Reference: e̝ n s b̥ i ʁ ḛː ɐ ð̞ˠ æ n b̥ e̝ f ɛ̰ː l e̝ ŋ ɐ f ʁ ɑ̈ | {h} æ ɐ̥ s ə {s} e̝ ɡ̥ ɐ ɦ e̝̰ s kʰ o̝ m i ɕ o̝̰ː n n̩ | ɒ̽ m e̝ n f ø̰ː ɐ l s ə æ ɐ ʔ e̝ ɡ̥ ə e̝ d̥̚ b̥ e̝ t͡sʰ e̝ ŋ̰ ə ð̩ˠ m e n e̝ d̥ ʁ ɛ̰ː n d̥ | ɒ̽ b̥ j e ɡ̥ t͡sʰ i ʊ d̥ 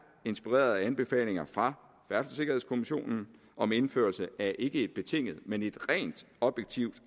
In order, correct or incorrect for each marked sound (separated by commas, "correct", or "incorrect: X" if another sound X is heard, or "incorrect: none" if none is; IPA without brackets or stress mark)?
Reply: incorrect: f, correct